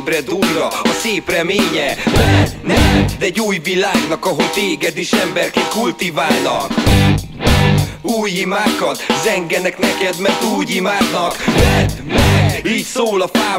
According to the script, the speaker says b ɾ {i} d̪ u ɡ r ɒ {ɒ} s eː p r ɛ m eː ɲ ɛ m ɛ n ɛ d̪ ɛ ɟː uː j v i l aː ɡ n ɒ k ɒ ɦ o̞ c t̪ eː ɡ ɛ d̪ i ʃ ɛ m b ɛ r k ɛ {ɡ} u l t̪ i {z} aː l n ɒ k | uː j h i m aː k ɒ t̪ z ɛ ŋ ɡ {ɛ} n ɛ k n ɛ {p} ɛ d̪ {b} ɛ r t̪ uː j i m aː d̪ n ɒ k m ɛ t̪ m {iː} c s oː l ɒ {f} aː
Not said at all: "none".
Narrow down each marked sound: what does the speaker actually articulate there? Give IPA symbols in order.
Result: ɛ, ɒ, k, v, ɛ, k, m, iː, f

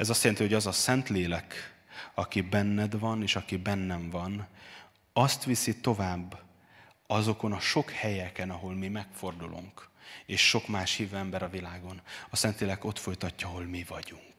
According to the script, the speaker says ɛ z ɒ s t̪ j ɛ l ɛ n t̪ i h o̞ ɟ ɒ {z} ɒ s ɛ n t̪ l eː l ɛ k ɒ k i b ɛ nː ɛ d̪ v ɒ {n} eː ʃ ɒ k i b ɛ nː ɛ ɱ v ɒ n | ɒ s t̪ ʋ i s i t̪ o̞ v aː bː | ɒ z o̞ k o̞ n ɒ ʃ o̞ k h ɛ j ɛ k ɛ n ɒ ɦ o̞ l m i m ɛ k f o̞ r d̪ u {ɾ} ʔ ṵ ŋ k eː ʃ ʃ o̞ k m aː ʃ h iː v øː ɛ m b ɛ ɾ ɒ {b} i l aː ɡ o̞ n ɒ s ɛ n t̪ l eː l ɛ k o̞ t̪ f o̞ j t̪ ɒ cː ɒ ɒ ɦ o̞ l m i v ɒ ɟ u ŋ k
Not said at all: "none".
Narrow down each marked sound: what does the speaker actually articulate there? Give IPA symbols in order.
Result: z, n, l, v

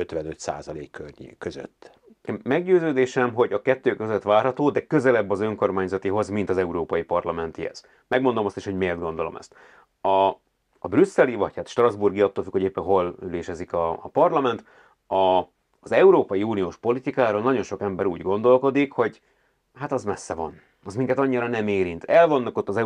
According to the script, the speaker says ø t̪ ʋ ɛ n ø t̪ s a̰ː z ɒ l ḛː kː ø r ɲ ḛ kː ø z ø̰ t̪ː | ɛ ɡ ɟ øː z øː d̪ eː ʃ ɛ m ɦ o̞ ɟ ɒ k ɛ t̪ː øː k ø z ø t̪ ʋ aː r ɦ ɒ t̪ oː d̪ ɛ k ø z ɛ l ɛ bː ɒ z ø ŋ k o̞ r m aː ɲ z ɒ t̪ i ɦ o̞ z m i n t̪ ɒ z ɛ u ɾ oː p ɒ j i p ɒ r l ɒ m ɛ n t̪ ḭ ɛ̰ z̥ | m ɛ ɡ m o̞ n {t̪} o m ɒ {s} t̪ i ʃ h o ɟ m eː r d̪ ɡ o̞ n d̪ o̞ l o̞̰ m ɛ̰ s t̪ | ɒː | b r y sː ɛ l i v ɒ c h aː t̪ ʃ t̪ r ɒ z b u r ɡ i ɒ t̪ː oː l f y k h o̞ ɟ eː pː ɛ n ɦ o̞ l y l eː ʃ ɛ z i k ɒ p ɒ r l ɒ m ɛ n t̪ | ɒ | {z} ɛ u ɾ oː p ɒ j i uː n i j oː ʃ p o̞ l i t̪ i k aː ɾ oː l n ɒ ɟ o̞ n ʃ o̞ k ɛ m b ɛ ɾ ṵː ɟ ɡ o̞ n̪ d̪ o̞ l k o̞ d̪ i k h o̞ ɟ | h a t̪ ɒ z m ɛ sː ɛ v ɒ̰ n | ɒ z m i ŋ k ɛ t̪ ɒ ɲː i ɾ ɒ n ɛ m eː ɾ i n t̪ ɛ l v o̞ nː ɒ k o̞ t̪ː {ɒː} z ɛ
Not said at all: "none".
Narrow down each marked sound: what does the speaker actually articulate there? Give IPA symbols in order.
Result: d̪, s, z, ɒ

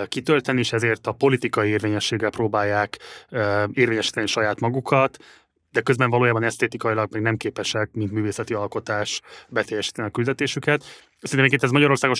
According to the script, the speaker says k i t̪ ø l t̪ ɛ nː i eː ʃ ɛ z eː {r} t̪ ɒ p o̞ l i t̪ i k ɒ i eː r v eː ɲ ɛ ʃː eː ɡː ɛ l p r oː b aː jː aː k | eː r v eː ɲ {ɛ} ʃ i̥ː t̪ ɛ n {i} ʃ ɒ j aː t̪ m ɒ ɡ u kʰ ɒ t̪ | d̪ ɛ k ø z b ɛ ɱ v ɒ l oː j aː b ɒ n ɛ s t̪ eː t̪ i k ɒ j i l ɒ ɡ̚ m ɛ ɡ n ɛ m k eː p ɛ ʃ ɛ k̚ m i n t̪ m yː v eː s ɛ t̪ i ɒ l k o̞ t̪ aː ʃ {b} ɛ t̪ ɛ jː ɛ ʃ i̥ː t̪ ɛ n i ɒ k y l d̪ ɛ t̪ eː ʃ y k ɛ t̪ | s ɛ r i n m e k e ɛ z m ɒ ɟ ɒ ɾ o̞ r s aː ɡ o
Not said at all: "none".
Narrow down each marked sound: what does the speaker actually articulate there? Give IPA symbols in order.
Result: r, ɛ, i, b

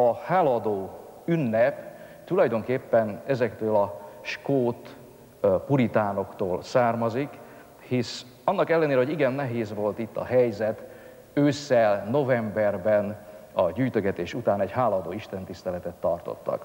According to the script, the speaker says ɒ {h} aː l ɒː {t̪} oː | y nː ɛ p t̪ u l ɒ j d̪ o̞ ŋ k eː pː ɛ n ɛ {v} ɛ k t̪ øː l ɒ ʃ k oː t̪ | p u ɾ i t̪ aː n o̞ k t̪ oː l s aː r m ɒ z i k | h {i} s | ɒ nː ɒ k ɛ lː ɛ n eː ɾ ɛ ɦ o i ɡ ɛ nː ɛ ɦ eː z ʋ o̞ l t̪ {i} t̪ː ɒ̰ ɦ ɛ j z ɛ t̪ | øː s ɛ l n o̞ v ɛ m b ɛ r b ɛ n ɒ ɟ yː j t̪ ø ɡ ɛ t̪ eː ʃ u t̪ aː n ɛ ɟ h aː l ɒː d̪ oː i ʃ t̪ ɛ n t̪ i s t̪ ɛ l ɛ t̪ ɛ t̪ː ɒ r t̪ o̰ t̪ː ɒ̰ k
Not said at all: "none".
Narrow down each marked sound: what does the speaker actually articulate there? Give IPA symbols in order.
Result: h, d̪, z, i, i

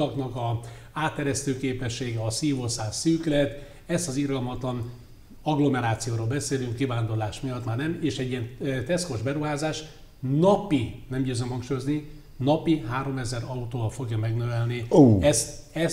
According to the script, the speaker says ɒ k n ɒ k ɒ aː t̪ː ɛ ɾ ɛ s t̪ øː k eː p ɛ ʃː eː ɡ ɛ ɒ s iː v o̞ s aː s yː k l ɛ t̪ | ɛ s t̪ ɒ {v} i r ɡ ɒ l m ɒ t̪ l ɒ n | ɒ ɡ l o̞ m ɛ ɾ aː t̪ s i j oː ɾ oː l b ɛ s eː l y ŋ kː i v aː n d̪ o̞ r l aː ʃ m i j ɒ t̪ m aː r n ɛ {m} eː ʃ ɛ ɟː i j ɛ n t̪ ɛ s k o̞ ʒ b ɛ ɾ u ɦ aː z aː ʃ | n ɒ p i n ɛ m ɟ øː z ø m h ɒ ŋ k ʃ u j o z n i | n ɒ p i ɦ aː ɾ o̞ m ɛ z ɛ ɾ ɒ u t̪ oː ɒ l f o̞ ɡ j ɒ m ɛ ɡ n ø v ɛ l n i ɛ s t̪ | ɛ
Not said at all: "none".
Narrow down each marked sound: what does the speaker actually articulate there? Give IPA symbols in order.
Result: z, m

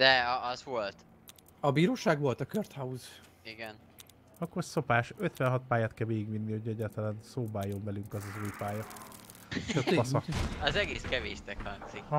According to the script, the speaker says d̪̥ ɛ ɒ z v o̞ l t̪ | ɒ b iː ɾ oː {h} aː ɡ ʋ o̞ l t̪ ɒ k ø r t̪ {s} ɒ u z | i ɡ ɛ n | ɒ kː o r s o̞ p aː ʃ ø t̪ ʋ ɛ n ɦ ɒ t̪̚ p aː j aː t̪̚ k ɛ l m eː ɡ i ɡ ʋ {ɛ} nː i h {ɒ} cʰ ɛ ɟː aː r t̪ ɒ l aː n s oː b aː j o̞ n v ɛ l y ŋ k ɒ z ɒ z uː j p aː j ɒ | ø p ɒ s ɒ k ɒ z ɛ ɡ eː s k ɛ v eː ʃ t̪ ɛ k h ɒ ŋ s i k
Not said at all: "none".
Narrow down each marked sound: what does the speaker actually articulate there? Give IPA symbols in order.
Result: ʃ, h, i, o

